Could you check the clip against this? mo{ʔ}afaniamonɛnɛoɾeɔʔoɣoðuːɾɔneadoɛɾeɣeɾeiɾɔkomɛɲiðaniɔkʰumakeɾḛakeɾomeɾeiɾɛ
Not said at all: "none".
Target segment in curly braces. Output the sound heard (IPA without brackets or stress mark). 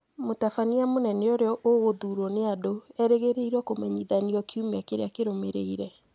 t